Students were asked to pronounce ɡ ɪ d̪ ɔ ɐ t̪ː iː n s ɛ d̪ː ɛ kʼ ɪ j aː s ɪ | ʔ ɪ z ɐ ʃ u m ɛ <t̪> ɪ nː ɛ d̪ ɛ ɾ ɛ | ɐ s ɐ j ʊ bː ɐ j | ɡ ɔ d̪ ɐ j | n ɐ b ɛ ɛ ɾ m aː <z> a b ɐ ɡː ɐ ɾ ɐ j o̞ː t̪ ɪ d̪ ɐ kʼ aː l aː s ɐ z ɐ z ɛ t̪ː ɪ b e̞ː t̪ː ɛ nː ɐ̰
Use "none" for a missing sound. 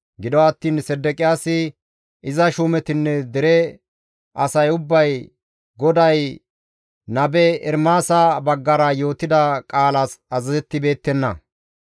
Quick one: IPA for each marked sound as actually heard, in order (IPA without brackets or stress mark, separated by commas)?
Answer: t̪, s